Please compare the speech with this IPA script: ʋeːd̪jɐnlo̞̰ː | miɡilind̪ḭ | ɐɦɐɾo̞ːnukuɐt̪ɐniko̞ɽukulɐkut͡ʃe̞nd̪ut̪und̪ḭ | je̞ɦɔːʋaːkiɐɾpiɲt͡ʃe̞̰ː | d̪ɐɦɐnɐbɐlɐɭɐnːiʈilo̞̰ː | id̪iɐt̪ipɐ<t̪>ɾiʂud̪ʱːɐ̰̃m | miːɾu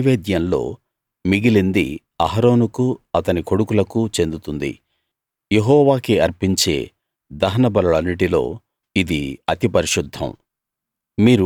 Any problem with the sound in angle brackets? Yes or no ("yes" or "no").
yes